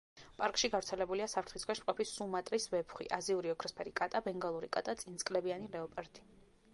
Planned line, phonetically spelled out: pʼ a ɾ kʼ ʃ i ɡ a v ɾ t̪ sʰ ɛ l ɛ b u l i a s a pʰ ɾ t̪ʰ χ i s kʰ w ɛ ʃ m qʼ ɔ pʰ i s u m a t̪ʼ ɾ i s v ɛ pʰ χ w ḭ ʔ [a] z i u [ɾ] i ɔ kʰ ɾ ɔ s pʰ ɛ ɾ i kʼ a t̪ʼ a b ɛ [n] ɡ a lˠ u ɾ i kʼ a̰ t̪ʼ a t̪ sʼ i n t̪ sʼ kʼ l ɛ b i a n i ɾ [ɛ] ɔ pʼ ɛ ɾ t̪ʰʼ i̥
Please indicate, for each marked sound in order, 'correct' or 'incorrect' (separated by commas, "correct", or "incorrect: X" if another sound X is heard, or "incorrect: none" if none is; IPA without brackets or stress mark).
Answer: correct, correct, incorrect: ŋ, correct